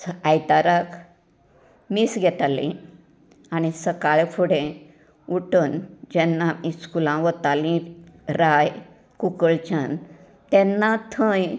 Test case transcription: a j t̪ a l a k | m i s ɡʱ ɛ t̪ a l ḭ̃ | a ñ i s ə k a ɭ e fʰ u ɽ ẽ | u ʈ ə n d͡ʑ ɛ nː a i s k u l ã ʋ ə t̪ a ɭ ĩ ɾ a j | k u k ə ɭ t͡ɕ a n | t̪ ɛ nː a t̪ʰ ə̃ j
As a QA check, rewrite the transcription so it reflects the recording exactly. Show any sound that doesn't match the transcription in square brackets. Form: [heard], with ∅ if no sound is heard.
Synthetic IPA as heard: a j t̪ a [ɾ] a k | m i s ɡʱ ɛ t̪ a l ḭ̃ | a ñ i s ə k a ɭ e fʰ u ɽ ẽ | u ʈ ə n d͡ʑ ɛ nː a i s k u l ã ʋ ə t̪ a [l] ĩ ɾ a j | k u k ə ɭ t͡ɕ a n | t̪ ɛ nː a t̪ʰ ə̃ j